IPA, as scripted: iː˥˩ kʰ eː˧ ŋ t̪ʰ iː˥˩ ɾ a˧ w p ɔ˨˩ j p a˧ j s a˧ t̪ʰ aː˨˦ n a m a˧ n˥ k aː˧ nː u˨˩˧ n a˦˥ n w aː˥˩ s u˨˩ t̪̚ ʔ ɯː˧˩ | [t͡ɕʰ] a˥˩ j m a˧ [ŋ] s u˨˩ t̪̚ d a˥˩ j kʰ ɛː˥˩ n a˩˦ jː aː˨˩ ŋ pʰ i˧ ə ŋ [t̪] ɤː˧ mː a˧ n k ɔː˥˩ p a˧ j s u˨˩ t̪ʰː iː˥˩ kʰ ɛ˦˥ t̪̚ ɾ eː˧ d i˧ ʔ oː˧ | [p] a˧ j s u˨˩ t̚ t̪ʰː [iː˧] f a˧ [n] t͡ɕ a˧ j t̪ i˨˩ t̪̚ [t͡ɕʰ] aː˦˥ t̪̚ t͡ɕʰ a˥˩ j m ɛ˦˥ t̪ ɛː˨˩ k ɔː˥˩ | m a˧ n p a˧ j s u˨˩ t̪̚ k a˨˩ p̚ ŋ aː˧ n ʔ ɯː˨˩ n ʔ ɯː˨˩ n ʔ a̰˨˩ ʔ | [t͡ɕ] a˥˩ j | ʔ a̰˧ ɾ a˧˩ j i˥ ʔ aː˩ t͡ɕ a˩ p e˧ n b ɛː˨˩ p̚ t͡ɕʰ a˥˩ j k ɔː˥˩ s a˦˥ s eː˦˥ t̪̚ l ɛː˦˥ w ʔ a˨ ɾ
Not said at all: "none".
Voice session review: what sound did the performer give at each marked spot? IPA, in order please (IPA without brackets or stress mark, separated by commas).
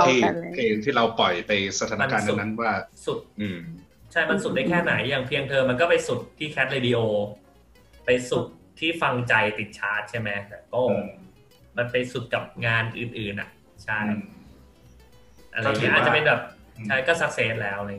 t͡ɕʰ, n, t̪ʰ, p, iː˥˩, ŋ, t͡ɕʰ, t͡ɕʰ